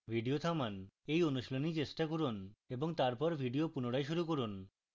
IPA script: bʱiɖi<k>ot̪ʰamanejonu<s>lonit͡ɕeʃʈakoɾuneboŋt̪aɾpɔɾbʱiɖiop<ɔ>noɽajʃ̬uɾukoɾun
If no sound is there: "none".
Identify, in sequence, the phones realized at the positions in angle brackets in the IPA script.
none, ʃ, u

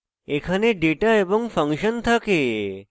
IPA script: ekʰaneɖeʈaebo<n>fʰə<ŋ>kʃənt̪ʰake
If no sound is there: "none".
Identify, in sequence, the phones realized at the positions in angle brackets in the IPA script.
ŋ, ŋ

